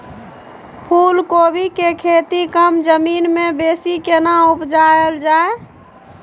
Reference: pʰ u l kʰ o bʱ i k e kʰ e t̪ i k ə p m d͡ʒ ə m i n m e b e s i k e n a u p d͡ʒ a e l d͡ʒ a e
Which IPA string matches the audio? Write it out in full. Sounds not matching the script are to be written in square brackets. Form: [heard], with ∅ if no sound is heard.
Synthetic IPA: pʰ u l [k] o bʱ i k e kʰ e t̪ i k ə [∅] m d͡ʒ ə m i n m e b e s i k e n a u p d͡ʒ a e l d͡ʒ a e